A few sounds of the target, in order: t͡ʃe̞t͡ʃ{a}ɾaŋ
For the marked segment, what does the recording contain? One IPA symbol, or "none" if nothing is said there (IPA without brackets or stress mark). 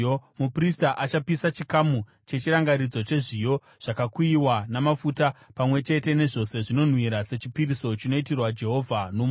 i